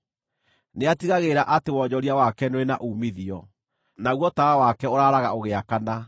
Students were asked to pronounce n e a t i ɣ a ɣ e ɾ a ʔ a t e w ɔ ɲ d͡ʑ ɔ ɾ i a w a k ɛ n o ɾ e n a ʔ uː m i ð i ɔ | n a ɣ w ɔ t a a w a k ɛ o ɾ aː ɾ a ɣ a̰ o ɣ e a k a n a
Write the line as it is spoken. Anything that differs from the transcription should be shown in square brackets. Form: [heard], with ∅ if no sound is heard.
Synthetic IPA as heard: n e a t i ɣ a ɣ e ɾ a ʔ a t e w ɔ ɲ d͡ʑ ɔ ɾ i a w a k ɛ n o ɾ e n a ʔ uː m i ð i ɔ | n a ɣ w ɔ t a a w a k ɛ o ɾ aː ɾ a ɣ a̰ o ɣ e a k a n a